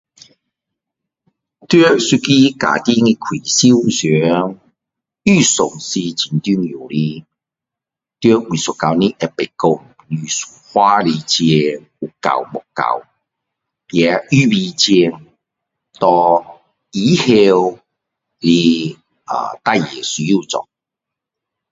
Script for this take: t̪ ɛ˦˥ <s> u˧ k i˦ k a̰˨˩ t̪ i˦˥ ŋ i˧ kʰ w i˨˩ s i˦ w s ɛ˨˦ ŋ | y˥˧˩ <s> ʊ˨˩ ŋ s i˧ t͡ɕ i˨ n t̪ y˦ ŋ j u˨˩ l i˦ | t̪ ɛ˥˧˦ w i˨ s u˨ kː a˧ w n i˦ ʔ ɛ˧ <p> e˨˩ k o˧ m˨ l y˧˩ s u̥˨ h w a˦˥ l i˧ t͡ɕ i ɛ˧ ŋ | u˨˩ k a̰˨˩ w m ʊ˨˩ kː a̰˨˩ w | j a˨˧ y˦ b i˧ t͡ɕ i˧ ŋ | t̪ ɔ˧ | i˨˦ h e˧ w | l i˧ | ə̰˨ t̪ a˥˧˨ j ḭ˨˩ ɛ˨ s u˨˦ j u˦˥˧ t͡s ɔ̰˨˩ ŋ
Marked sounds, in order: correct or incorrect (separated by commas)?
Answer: correct, correct, correct